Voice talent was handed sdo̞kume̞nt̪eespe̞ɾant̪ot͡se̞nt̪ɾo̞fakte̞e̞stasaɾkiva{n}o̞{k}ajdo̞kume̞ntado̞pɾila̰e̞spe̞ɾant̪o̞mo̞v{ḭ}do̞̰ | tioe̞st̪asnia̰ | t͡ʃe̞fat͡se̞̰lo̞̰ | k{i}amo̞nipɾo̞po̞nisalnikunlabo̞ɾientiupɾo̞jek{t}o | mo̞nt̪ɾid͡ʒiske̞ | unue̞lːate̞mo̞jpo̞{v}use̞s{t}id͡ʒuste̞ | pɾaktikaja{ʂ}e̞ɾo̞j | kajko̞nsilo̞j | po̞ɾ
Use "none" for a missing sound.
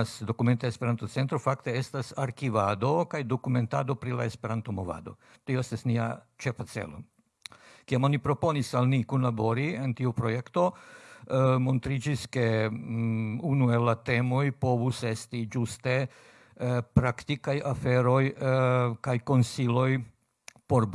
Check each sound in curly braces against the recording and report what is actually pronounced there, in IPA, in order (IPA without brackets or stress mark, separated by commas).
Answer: d, k, a̰, i, t, v, t, f